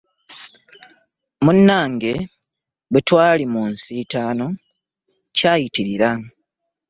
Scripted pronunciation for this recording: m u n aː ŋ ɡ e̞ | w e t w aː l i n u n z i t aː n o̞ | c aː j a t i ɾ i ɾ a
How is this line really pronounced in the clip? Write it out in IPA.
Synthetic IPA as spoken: m u nː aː ŋ ɡ e̞ | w e t w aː l i m u n s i t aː n o̞ | c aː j i t i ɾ i ɾ a